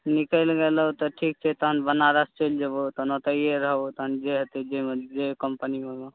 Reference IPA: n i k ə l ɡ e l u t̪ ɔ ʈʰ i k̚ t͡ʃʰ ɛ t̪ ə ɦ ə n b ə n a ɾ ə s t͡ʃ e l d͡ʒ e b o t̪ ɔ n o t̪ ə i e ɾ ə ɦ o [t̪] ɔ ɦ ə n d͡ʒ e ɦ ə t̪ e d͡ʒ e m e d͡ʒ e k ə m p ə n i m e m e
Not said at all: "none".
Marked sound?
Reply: t̪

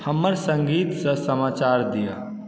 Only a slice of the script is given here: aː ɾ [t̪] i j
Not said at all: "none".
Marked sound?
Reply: d̪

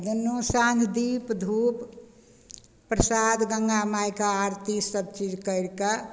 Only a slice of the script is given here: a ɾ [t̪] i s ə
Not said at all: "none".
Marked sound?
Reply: t̪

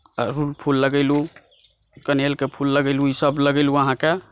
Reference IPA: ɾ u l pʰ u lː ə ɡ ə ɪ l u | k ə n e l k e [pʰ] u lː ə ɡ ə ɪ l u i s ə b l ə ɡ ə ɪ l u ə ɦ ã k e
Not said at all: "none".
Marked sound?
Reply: pʰ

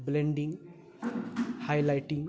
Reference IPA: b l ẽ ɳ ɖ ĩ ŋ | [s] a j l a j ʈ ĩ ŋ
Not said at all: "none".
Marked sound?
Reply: h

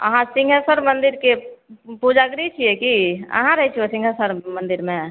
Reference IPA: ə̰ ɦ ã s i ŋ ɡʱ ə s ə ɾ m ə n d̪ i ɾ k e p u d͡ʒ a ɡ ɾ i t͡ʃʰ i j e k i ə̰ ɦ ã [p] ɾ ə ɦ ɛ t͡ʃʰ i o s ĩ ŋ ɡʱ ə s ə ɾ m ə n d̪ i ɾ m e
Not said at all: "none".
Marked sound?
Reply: none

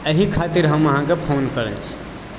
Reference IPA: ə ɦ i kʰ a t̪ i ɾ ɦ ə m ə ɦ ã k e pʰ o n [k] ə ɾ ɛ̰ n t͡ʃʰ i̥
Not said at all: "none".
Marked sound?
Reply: k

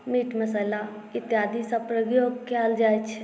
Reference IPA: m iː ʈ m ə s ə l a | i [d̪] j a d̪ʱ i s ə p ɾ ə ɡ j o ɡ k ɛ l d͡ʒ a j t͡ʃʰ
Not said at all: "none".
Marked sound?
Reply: t̪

